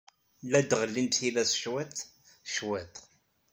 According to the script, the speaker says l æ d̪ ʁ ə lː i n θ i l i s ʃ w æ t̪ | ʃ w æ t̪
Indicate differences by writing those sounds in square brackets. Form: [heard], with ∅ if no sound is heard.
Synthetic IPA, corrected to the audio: l æ d̪ ʁ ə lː i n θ i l [æ] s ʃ w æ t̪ | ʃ w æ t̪